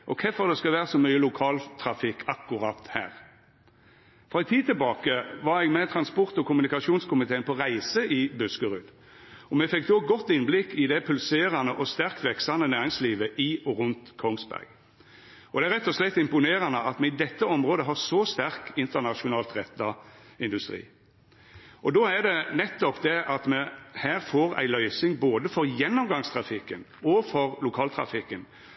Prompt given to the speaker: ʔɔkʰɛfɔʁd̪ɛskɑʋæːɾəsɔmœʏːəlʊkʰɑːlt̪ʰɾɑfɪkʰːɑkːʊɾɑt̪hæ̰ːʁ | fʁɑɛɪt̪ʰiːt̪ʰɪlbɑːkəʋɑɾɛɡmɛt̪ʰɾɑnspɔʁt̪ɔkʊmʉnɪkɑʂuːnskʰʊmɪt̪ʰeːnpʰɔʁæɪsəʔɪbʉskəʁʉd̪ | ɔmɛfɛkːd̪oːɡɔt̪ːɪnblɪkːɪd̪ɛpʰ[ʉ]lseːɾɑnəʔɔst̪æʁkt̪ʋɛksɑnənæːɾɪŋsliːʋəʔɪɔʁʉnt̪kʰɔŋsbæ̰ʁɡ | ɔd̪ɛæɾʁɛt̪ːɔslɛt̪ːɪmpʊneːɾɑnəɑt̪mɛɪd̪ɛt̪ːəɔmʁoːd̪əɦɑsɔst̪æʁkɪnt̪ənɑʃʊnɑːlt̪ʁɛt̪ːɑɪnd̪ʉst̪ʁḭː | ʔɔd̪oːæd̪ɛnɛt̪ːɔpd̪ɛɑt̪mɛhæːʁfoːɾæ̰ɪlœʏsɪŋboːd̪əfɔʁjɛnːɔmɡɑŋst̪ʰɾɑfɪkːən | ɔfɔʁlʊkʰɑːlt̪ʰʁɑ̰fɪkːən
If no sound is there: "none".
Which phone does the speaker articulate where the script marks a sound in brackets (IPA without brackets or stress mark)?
ʉ